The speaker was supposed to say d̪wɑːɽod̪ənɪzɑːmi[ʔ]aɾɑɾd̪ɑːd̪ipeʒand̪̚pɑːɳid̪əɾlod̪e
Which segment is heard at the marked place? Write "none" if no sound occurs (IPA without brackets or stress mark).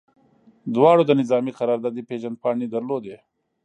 q